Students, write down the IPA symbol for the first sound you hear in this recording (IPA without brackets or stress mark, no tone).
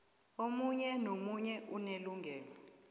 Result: o